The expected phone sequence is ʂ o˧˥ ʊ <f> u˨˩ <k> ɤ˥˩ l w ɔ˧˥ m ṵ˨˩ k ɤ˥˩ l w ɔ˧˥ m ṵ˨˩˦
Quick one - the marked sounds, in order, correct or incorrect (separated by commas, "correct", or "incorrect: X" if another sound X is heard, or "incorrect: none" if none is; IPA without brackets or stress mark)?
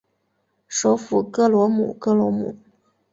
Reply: correct, correct